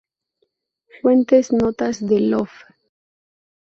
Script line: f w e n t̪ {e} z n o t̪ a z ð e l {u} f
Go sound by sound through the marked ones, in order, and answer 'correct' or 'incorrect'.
correct, incorrect

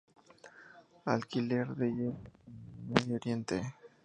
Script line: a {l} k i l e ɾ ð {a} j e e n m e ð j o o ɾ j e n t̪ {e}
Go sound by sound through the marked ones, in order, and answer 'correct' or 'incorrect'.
correct, incorrect, correct

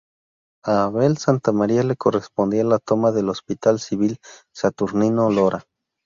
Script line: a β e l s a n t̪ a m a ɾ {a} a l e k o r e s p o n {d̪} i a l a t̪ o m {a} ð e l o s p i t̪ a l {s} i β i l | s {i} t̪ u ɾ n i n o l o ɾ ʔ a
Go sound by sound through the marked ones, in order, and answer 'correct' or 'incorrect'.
incorrect, correct, correct, correct, incorrect

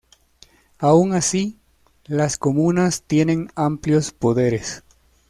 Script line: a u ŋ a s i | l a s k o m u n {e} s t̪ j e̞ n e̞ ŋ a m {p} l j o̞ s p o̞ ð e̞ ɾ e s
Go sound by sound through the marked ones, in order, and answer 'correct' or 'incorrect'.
incorrect, correct

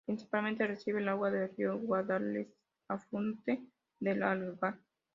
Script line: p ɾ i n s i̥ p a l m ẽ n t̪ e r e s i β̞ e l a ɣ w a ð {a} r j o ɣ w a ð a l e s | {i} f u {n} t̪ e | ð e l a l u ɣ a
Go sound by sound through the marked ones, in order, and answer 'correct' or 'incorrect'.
incorrect, incorrect, correct

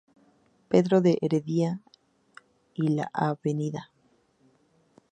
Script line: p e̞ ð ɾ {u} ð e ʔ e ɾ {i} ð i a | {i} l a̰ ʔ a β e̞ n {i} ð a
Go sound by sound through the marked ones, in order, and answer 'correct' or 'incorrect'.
incorrect, incorrect, correct, correct

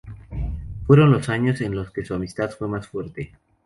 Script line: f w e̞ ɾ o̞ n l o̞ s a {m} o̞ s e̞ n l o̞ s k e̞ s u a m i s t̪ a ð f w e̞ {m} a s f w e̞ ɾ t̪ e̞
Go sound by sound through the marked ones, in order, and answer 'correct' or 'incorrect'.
incorrect, correct

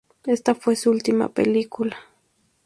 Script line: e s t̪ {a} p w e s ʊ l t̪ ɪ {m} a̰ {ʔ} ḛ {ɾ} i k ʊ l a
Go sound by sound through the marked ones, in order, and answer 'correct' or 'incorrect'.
correct, correct, incorrect, incorrect

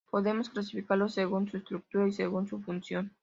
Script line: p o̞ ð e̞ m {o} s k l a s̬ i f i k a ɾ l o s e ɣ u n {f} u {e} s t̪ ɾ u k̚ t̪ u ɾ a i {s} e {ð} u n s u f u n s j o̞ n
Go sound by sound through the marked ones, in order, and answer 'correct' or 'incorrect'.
correct, incorrect, correct, correct, incorrect

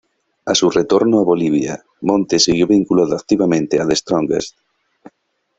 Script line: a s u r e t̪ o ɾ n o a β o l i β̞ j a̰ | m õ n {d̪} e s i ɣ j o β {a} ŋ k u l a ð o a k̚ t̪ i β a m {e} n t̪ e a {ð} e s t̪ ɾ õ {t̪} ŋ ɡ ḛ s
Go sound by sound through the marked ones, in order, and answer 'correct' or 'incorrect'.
incorrect, incorrect, incorrect, correct, incorrect

